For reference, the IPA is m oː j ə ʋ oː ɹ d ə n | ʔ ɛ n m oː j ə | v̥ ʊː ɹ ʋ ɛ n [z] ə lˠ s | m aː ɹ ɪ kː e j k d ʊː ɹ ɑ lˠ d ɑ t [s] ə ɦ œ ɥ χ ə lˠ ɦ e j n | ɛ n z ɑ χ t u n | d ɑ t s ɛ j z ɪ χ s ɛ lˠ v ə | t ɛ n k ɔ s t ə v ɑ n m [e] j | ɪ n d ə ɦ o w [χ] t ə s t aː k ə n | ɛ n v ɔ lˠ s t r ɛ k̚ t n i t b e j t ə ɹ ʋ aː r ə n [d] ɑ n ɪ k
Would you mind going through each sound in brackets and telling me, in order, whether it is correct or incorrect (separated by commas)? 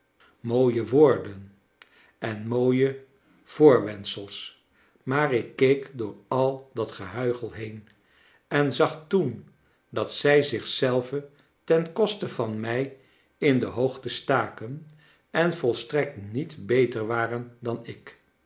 incorrect, incorrect, incorrect, correct, correct